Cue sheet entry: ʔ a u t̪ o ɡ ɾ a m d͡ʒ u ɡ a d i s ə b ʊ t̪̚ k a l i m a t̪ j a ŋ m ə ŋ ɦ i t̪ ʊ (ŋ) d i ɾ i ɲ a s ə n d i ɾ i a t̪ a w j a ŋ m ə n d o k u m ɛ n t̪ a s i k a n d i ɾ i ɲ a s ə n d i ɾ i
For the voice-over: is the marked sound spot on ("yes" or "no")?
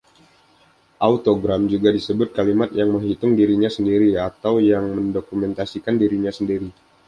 yes